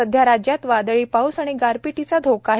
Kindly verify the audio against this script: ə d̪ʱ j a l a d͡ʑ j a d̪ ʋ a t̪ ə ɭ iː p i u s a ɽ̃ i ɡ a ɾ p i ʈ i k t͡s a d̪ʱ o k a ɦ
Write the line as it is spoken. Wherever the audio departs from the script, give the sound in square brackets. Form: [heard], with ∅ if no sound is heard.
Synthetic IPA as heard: ə d̪ʱ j a [ɾ] a d͡ʑ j a [t̪] ʋ a [d̪] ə ɭ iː p [a] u s a ɽ̃ i ɡ a ɾ p i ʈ i [∅] t͡s a d̪ʱ o k a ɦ

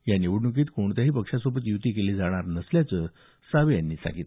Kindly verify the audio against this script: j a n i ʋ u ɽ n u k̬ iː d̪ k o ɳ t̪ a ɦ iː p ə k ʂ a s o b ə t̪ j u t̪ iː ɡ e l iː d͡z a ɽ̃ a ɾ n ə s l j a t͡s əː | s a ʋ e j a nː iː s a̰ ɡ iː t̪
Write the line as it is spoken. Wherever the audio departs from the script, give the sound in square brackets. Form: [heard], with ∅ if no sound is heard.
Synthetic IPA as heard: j a n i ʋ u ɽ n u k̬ iː [t̪] k o ɳ t̪ a ɦ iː p ə k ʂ a s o b ə t̪ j u t̪ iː [k] e l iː d͡z a ɽ̃ a ɾ n ə s l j a t͡s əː | s a ʋ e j a nː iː s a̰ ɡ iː t̪

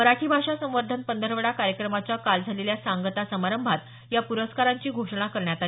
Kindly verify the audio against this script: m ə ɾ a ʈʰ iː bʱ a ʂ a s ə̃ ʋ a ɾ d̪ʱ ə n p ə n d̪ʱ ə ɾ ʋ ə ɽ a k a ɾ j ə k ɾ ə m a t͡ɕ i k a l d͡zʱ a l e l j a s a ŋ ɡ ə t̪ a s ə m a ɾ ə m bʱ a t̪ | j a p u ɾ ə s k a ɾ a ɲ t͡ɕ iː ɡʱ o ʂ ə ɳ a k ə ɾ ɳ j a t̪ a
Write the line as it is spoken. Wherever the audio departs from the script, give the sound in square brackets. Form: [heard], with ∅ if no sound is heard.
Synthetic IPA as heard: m ə ɾ a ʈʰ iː bʱ a ʂ a s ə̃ ʋ [ə] ɾ d̪ʱ ə n p ə n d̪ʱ ə ɾ ʋ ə ɽ a k a ɾ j ə k ɾ ə m a t͡ɕ [a] k a l d͡zʱ a l e l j a s a ŋ ɡ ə t̪ a s ə m a ɾ ə m bʱ a t̪ | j a p u ɾ ə s k a ɾ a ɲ t͡ɕ iː ɡʱ o ʂ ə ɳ a k ə ɾ ɳ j a t̪ a

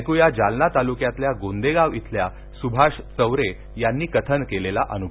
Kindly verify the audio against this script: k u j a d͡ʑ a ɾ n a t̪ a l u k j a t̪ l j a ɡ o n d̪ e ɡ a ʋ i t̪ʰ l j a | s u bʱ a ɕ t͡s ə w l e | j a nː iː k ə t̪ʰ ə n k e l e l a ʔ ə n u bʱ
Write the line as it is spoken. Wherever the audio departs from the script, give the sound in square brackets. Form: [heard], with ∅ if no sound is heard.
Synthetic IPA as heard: k u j a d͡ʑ a [l] n a t̪ a l u k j a t̪ l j a ɡ o n d̪ e ɡ a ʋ i t̪ʰ l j a | s u bʱ a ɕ t͡s ə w [ɾ] e | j a nː iː k ə t̪ʰ ə n k e l e l a ʔ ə n u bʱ

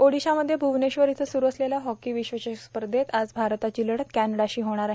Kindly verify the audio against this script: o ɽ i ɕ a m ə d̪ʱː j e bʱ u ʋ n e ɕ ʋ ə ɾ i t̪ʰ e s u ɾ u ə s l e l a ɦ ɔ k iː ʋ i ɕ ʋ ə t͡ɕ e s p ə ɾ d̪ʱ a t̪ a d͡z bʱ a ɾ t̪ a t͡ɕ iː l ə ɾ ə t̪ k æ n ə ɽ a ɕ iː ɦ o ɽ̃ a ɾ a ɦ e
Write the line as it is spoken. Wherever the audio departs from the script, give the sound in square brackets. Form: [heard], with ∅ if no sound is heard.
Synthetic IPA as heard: o ɽ i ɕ a m ə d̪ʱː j e bʱ u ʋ n e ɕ ʋ ə ɾ i t̪ʰ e s u ɾ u ə s l e l a ɦ ɔ k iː ʋ i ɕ ʋ ə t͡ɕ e s p ə ɾ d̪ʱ [e] t̪ a d͡z bʱ a ɾ t̪ a t͡ɕ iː l ə [ɽ] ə t̪ k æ n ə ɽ a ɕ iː ɦ o ɽ̃ a ɾ a ɦ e

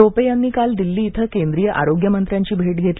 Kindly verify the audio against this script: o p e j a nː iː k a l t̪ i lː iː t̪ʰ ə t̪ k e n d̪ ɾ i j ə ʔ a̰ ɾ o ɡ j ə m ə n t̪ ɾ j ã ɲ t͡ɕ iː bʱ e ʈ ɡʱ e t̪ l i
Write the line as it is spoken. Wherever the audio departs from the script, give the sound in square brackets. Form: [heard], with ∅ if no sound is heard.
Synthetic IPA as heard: o p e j a nː iː k a l [d̪] i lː iː t̪ʰ ə [∅] k e n d̪ ɾ i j ə ʔ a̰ ɾ o ɡ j ə m ə n t̪ ɾ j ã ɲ t͡ɕ iː bʱ e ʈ ɡʱ e t̪ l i

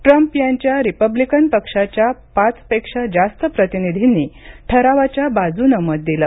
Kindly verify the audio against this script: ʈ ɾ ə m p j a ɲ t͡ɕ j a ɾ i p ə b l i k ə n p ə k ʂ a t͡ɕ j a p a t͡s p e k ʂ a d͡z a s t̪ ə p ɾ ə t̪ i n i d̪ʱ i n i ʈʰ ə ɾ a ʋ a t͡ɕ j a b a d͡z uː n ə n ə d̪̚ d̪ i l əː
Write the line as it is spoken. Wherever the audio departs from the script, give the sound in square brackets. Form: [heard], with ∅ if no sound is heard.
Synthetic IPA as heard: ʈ ɾ ə m p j a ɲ t͡ɕ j a ɾ i p ə b l i k ə n p ə k ʂ a t͡ɕ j a p a t͡s p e k ʂ a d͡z a s t̪ ə p ɾ ə t̪ i n i d̪ʱ i n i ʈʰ ə ɾ a ʋ a t͡ɕ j a b a d͡z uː n ə [m] ə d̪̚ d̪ i l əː

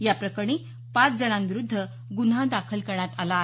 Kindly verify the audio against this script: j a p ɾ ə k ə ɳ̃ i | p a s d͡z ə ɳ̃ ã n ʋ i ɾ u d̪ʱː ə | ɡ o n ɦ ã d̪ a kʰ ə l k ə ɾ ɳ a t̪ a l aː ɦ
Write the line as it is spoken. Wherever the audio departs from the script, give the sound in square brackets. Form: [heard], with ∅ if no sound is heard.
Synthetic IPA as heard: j a p ɾ ə k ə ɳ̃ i | p a [t͡s] d͡z ə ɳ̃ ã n ʋ i ɾ u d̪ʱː ə | ɡ [u] n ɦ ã d̪ a kʰ ə l k ə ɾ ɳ a t̪ a l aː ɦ

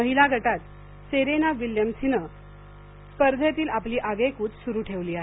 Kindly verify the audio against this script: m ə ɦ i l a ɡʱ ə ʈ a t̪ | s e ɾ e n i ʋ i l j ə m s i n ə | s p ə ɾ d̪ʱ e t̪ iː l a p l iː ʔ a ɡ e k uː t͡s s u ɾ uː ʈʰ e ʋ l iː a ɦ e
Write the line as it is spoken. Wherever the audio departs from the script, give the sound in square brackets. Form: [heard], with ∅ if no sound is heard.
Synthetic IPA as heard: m ə ɦ i l a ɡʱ ə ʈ a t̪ | s e ɾ e n [a] ʋ i l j ə m s i n ə | s p ə ɾ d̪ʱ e t̪ iː l a p l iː ʔ a ɡ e k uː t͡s s u ɾ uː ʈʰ e ʋ l iː a ɦ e

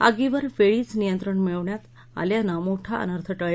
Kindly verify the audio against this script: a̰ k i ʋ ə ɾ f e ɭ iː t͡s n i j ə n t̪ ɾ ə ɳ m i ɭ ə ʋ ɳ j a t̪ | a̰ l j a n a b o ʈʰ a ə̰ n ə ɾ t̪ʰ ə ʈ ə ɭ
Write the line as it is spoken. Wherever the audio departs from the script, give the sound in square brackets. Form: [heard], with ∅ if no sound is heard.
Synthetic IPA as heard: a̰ [ɡ] i ʋ ə ɾ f e ɭ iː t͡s n i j ə n t̪ ɾ ə ɳ m i ɭ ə ʋ ɳ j a t̪ | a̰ l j a n a [m] o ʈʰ a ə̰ n ə ɾ t̪ʰ ə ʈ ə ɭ

